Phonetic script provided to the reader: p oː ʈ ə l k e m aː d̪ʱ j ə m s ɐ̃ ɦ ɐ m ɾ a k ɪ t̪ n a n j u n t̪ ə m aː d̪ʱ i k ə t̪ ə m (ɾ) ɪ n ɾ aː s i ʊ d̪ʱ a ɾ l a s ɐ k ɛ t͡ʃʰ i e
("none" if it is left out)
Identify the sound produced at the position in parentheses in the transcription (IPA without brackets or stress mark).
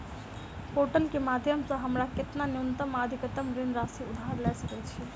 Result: ɾ